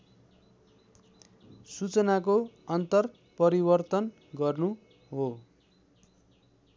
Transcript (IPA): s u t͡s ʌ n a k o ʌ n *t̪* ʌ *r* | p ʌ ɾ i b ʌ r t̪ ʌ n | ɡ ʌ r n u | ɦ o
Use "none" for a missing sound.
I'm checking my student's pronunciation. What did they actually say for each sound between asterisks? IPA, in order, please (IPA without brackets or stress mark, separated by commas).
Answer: t̪, r